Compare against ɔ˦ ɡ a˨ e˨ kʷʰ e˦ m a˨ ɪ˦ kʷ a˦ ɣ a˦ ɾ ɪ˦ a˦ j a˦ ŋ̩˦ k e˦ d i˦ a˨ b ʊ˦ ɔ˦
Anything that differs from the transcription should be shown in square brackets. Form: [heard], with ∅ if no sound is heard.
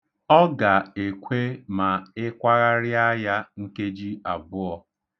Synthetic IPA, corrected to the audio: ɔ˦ ɡ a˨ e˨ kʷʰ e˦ m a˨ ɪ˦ kʷ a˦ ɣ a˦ ɾ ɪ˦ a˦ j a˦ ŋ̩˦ k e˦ [d͡ʒ] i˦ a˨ b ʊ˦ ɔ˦